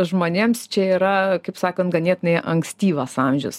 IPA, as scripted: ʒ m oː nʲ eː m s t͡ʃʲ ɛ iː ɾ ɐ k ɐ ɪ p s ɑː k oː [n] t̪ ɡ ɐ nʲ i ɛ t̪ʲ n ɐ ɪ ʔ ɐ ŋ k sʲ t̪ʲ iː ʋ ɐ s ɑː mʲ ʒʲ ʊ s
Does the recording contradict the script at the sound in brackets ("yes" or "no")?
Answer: no